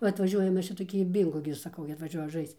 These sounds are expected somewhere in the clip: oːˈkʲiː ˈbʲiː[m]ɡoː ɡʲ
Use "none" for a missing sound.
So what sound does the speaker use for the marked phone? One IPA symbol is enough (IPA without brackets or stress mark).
ŋ